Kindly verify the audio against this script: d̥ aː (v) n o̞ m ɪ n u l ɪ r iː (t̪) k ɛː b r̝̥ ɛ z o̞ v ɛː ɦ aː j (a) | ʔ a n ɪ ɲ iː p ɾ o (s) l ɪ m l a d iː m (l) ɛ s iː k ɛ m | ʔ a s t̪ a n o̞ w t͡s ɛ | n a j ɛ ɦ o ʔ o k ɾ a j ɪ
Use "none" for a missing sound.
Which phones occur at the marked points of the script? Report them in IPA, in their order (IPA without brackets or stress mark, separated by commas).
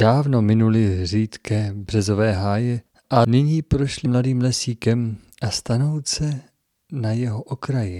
v, t̪, ɛ, ʃ, l